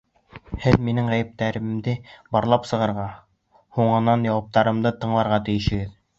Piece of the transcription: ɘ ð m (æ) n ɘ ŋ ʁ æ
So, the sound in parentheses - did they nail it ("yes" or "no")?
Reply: no